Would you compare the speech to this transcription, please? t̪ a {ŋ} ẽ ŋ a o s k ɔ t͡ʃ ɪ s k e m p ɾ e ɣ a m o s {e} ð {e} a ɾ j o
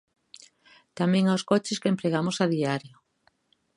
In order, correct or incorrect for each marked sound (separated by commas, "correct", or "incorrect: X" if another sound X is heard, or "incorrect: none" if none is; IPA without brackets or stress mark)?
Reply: incorrect: m, incorrect: a, incorrect: i